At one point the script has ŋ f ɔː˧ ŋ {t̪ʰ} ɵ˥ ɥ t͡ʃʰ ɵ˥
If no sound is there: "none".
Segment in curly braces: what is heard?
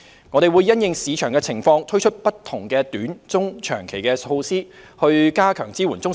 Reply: t̪ʰ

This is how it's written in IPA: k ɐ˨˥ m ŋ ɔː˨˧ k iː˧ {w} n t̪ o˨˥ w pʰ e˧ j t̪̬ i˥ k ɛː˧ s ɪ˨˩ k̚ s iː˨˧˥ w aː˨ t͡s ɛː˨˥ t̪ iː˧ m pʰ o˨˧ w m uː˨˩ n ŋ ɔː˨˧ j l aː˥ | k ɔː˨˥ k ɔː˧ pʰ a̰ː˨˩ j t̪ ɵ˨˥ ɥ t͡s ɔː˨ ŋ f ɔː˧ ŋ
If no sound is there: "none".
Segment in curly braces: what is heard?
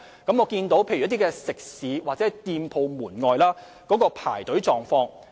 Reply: none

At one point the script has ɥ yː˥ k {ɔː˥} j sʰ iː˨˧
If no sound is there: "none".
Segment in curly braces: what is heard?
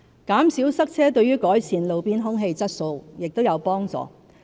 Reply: ɔː˨˥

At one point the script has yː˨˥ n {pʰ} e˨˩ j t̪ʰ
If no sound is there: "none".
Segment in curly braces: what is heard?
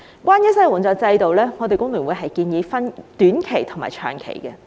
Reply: kʰ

